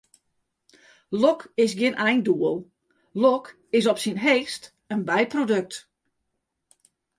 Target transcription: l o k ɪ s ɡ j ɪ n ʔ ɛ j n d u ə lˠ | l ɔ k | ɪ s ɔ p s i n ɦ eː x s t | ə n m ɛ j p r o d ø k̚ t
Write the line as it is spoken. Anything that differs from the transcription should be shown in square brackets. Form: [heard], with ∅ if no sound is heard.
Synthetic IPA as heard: l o k ɪ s ɡ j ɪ n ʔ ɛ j n d u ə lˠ | l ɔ k | ɪ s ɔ p s i n ɦ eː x s t | ə n [b] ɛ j p r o d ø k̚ t